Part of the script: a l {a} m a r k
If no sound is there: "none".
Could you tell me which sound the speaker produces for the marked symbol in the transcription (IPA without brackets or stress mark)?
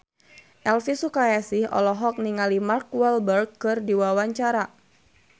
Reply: i